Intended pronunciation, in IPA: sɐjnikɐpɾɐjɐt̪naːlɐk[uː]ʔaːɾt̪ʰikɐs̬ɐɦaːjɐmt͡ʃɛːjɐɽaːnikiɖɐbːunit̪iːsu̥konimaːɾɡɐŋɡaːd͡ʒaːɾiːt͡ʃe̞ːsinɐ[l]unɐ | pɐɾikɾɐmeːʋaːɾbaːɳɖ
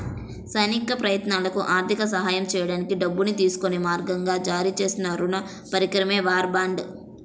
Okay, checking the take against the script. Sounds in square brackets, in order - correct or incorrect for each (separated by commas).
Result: incorrect, incorrect